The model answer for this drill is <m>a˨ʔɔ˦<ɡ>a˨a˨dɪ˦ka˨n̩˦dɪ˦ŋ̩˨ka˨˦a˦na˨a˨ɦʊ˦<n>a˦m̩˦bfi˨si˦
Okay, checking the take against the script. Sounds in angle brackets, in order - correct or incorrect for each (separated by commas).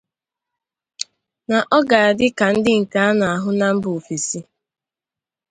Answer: incorrect, correct, correct